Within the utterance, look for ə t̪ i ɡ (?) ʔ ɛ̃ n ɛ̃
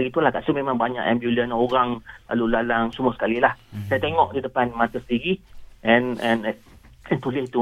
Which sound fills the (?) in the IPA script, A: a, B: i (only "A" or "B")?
B